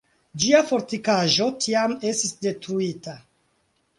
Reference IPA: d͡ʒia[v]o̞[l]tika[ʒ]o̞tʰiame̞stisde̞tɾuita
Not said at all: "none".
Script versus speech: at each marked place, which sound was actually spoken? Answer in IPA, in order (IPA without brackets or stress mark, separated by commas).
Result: f, ɾ, ʒ